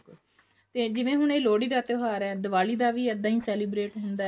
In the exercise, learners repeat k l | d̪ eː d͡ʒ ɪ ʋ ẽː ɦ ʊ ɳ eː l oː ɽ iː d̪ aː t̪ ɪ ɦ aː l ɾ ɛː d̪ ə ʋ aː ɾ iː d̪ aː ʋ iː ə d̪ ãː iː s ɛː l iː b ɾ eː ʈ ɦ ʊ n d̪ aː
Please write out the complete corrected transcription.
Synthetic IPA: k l | t̪ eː d͡ʒ ɪ ʋ ẽː ɦ ʊ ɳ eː l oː ɽ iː d̪ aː t̪ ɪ ɦ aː ɾ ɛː d̪ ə ʋ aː l iː d̪ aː ʋ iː ə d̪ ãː iː s ɛː l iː b ɾ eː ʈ ɦ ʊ n d̪ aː